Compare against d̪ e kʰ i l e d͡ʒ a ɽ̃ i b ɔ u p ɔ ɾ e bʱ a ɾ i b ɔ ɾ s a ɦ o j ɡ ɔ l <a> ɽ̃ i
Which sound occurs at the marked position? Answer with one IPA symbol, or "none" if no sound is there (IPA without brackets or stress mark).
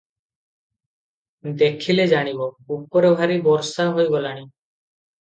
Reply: a